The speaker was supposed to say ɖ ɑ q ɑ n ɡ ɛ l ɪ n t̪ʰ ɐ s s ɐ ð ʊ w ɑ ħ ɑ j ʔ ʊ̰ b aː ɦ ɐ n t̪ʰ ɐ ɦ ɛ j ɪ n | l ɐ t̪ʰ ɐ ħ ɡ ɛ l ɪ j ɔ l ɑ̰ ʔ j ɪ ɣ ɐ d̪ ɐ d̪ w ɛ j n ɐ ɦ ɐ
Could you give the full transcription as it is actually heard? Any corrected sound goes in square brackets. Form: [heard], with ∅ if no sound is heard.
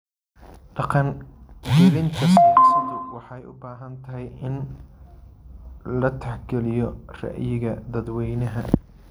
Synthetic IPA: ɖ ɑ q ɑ n ɡ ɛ l ɪ n t̪ʰ ɐ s s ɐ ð ʊ w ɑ ħ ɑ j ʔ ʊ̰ b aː ɦ ɐ n t̪ʰ ɐ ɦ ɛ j ɪ n | l ɐ t̪ʰ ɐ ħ ɡ ɛ l ɪ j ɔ [r] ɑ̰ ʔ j ɪ ɣ ɐ d̪ ɐ d̪ w ɛ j n ɐ ɦ ɐ